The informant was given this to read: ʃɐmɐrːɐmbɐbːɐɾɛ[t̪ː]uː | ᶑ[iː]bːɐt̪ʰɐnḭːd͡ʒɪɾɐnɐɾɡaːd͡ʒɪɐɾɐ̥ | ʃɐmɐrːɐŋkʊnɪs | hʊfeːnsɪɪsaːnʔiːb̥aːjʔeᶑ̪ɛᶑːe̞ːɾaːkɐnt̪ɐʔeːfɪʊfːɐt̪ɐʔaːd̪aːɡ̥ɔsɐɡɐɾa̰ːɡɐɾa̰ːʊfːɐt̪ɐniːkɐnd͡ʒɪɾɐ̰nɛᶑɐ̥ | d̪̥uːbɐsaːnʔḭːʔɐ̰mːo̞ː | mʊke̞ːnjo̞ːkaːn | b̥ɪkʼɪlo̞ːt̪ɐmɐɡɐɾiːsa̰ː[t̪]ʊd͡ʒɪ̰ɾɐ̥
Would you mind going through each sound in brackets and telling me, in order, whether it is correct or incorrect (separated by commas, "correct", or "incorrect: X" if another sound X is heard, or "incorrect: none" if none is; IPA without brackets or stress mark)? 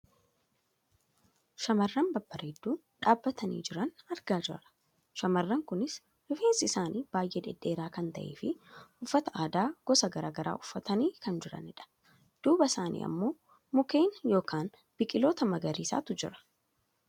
incorrect: d̪ː, incorrect: aː, correct